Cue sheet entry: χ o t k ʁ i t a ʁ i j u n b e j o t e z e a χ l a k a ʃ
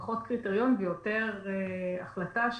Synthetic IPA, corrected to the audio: χ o t k ʁ i t e ʁ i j o n b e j o t e ʁ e a χ l a t a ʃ